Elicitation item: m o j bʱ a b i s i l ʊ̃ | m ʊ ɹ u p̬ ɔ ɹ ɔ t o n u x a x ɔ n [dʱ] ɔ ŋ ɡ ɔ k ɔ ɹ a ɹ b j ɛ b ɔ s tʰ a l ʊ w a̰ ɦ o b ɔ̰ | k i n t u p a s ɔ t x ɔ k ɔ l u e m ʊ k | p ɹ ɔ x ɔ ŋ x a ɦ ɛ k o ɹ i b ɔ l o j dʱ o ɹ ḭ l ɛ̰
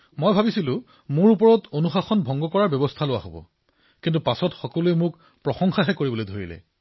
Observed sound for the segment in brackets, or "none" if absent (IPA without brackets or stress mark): bʱ